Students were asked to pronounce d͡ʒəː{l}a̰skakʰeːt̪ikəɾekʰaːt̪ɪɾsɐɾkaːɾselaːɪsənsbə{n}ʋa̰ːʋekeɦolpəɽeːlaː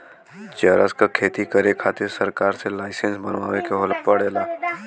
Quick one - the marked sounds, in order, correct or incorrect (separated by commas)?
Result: incorrect, correct